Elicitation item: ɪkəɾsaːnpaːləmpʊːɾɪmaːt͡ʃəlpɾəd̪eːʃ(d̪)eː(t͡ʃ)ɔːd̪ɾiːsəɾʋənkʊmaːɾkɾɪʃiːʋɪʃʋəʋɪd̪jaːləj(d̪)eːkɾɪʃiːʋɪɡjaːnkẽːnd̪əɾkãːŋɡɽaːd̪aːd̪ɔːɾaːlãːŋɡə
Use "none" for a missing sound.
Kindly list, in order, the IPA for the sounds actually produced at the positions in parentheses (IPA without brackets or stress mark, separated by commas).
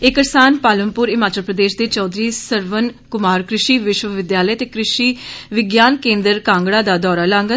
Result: d̪, t͡ʃ, t̪